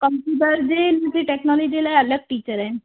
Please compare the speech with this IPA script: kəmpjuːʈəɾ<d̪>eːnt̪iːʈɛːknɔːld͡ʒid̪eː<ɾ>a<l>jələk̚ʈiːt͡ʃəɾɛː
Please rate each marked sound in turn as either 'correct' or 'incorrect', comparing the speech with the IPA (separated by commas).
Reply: correct, incorrect, incorrect